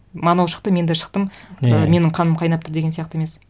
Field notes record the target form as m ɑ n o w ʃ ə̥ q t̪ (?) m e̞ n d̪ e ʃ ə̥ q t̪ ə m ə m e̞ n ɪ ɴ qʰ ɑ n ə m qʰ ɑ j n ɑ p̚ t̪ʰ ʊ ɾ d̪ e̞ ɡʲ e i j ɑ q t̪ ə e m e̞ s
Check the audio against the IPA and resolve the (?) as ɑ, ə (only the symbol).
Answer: ə